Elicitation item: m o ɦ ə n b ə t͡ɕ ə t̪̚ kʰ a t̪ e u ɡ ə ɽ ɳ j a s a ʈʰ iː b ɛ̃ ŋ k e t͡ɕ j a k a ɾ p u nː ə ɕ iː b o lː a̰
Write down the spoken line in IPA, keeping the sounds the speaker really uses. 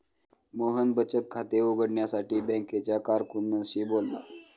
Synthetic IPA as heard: m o ɦ ə n b ə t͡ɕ ə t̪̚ kʰ a t̪ e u ɡ ə ɽ ɳ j a s a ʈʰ iː b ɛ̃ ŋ k e t͡ɕ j a k a ɾ k u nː ə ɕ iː b o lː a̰